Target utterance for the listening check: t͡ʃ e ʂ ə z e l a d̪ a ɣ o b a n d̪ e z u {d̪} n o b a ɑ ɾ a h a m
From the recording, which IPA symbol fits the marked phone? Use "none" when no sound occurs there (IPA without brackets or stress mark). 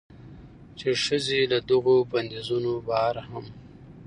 none